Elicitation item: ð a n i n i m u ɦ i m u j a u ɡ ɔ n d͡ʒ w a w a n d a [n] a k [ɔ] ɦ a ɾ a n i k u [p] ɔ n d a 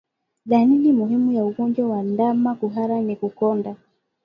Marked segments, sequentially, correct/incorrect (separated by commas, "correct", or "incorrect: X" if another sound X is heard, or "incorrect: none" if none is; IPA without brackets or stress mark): incorrect: m, incorrect: u, incorrect: k